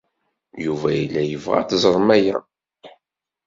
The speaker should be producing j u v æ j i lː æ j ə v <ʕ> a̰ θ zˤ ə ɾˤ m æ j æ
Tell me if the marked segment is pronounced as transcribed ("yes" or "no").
no